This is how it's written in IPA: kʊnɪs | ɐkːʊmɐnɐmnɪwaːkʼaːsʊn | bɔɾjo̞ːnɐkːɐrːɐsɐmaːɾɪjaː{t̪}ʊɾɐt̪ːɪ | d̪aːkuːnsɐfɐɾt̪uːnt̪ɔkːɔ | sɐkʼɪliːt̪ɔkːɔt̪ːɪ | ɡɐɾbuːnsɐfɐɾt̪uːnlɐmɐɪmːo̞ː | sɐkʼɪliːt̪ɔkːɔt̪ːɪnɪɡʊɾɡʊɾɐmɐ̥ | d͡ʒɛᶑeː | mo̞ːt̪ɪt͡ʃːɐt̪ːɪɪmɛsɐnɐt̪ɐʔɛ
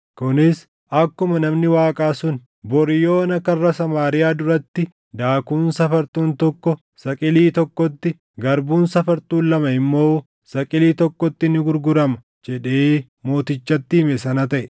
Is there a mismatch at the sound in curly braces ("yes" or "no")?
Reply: yes